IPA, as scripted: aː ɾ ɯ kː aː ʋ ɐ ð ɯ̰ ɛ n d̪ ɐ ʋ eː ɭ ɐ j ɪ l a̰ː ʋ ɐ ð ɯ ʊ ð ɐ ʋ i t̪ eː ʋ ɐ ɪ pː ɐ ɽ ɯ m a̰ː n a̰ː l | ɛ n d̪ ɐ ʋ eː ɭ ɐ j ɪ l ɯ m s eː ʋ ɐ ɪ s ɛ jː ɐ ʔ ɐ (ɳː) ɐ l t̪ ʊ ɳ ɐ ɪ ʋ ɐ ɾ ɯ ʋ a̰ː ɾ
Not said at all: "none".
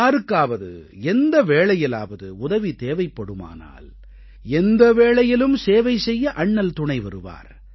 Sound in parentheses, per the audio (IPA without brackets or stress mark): ɳː